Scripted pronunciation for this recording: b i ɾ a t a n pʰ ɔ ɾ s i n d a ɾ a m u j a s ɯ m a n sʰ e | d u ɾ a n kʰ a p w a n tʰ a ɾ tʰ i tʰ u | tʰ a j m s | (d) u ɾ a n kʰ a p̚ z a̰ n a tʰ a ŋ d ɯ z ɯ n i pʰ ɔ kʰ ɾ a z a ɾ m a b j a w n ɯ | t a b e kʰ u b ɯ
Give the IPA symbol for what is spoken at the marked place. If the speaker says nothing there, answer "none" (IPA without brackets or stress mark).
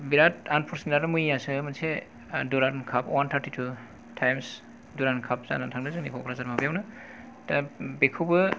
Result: d